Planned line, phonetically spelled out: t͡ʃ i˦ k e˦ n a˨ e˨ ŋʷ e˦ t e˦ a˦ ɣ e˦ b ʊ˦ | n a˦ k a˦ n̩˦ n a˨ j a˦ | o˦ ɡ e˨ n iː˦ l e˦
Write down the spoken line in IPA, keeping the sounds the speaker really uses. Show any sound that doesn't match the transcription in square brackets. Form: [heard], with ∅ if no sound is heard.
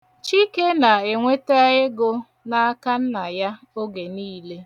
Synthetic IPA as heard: t͡ʃ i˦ k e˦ n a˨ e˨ ŋʷ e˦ t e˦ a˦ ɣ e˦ [ɡ] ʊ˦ | n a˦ k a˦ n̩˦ n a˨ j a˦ | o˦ ɡ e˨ n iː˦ l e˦